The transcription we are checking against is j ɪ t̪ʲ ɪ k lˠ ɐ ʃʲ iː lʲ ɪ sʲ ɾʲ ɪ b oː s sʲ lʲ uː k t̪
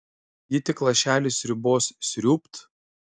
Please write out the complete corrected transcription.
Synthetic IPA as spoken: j ɪ t̪ʲ ɪ k lˠ ɐ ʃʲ æː lʲ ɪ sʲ ɾʲ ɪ b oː s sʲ ɾʲ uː p t̪